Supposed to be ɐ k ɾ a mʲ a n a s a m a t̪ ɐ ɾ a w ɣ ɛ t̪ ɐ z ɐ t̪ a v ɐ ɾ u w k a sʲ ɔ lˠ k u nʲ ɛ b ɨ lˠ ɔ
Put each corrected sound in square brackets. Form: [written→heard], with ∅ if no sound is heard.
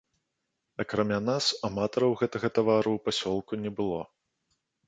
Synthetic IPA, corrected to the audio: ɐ k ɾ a mʲ a n a s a m a t̪ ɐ ɾ [a→ɐ] w ɣ ɛ t̪ ɐ [z→ɣ] ɐ t̪ a v [ɐ→a] ɾ u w [k→p] a sʲ ɔ lˠ k u nʲ ɛ b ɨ lˠ ɔ